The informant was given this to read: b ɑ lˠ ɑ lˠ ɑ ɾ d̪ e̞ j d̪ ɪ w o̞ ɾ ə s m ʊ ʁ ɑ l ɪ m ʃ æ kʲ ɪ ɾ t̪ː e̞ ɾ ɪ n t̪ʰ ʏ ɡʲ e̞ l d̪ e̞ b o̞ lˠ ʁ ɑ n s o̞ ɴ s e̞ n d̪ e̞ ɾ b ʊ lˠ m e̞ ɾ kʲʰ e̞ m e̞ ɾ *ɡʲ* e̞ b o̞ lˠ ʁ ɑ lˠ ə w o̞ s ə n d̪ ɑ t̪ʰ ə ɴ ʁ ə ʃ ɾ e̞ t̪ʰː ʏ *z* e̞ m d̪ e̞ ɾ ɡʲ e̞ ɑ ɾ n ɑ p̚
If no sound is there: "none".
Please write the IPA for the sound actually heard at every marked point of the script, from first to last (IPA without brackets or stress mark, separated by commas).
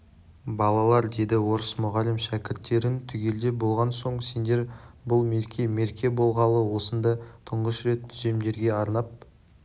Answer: kʲ, z